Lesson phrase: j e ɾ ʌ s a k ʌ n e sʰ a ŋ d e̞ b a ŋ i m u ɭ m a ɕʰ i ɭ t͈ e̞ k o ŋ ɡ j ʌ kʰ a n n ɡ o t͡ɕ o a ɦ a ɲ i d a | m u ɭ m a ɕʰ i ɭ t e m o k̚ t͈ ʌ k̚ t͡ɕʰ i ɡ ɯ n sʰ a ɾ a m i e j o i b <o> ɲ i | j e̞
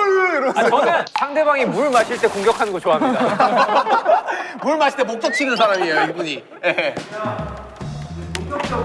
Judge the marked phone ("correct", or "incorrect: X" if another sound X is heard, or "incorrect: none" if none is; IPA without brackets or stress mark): incorrect: u